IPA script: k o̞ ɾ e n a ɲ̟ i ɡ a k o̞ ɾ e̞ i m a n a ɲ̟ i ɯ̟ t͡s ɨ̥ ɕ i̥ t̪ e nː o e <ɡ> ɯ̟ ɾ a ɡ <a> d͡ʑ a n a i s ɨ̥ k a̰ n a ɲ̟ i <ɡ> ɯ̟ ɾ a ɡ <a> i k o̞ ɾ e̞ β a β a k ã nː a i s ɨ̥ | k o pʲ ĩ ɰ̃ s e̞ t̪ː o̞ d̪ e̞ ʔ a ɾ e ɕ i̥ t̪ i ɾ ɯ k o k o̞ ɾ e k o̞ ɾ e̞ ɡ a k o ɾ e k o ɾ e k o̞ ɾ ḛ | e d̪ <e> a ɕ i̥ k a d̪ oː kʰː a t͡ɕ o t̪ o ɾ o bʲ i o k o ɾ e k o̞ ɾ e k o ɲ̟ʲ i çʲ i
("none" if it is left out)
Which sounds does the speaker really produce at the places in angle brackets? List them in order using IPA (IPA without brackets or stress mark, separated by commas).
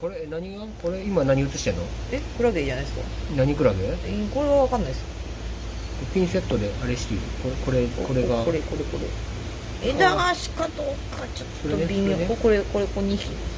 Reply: k, e, k, e, a